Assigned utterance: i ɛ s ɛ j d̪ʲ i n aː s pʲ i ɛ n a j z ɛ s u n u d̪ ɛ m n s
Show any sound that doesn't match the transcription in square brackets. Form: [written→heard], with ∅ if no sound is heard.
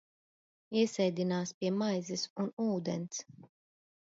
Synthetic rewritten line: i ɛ s ɛ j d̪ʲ i n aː s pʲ i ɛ [n→m] a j z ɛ s u n [u→uː] d̪ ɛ [m→∅] n s